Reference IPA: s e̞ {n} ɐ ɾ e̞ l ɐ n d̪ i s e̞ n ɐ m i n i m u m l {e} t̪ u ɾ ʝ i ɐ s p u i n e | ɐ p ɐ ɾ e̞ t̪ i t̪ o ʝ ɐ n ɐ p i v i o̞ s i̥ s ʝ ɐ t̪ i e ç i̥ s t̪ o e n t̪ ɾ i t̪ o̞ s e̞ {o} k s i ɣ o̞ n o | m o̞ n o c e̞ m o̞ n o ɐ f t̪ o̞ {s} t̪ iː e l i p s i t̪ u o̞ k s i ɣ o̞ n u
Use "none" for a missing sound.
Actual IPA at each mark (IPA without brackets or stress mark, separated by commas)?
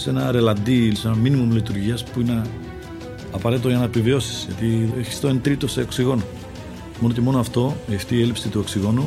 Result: n, i, o, f